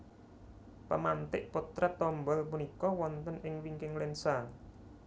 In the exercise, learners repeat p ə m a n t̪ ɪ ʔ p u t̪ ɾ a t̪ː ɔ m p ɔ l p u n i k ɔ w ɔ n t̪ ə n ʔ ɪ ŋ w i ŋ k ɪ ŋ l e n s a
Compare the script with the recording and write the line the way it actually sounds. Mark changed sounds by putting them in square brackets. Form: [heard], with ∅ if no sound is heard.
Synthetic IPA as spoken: p ə m a n t̪ ɪ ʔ p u t̪ ɾ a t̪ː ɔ m [b] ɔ l p u n i k ɔ w ɔ n t̪ ə n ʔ ɪ ŋ w i ŋ k ɪ ŋ l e n s a